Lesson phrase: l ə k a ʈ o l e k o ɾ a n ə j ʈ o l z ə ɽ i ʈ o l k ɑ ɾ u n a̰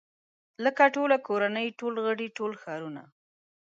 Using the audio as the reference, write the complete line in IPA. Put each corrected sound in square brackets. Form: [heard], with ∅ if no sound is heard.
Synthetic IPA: l ə k a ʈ o l [a] k o ɾ a n ə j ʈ o l [ɣ] ə ɽ i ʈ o l [x] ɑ ɾ u n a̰